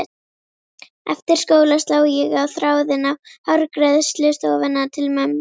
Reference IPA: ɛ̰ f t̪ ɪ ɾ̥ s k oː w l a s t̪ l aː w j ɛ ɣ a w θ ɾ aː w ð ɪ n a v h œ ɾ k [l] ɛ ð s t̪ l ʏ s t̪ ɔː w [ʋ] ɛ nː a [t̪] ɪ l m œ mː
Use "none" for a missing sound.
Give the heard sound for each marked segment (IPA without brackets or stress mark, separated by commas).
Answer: ɾ, v, t̪ʰ